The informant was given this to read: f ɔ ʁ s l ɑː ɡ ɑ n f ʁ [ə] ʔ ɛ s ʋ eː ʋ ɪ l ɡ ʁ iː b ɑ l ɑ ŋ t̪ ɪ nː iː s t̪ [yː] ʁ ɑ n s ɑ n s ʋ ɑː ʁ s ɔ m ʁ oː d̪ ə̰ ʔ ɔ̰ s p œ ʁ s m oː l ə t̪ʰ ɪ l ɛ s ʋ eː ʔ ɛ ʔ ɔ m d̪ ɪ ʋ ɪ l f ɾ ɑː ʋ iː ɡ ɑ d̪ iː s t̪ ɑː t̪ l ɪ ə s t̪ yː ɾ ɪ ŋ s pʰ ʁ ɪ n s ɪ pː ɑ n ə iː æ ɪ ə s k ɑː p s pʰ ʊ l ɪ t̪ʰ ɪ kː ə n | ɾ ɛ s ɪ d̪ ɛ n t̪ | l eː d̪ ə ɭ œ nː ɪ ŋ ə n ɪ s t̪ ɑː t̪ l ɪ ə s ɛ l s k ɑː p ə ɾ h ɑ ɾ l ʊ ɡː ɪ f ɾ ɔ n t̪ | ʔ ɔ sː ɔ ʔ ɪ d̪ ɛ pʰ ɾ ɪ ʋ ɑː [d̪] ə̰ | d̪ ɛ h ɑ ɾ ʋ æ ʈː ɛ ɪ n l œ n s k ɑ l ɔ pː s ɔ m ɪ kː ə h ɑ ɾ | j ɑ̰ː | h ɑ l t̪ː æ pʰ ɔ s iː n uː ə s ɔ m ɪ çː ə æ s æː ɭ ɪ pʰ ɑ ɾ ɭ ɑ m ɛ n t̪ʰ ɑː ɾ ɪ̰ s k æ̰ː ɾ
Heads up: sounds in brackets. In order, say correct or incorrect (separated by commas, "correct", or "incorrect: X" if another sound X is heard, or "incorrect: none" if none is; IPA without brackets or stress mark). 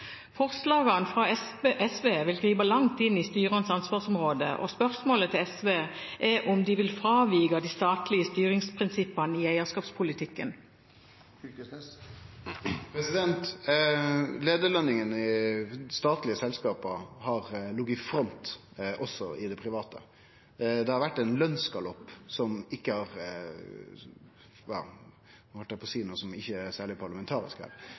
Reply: incorrect: ɑ, correct, incorrect: t̪